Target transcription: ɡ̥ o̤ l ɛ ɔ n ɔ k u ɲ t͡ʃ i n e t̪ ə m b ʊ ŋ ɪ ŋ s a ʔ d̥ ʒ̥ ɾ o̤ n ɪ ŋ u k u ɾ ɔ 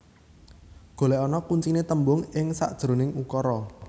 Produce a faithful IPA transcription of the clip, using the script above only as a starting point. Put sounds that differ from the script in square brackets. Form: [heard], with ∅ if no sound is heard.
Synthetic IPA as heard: ɡ̥ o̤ l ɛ ɔ n ɔ k u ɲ t͡ʃ i n e t̪ ə m b ʊ ŋ ɪ ŋ s a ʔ d̥ ʒ̥ ɾ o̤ n ɪ ŋ u k [ɔ] ɾ ɔ